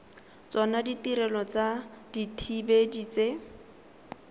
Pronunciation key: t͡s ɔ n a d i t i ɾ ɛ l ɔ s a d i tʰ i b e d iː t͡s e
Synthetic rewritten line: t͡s ɔ n a d i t i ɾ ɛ l ɔ t͡s a d i tʰ i b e d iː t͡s e